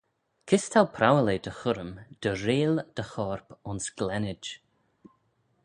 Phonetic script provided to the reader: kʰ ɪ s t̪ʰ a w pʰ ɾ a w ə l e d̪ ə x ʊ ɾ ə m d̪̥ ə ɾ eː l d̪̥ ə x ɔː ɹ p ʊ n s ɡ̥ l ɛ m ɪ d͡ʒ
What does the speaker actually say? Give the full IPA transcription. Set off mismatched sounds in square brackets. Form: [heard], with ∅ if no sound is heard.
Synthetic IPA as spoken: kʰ ɪ s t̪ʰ a w pʰ ɾ a w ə l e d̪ ə x ʊ ɾ ə m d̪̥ ə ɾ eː l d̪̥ ə x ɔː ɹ p ʊ n s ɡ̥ l ɛ [n] ɪ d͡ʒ